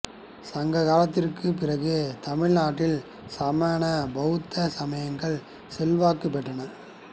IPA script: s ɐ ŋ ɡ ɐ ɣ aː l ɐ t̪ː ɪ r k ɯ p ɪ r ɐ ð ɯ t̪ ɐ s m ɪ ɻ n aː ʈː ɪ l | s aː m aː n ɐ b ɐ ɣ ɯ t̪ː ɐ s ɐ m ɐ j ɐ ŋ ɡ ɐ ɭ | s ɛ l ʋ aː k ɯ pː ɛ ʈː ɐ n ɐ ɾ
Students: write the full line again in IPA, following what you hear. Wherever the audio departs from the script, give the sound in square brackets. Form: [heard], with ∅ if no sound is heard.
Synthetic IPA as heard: s ɐ ŋ ɡ ɐ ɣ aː l ɐ t̪ː ɪ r k ɯ p ɪ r ɐ [ɣ] ɯ t̪ ɐ [∅] m ɪ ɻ n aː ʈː ɪ l | s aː m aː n ɐ b ɐ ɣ ɯ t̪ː ɐ s ɐ m ɐ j ɐ ŋ ɡ ɐ ɭ | s ɛ l ʋ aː k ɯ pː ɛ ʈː ɐ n ɐ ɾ